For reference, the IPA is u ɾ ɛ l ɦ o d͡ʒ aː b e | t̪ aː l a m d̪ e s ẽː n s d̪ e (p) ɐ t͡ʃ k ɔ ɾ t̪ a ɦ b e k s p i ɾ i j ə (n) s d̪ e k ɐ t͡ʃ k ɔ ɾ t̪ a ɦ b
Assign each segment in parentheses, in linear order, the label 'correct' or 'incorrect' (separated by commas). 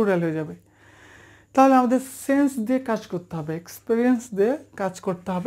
incorrect, correct